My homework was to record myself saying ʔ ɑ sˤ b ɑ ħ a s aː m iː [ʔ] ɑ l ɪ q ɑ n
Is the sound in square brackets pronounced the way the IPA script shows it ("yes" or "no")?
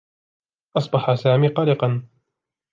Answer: no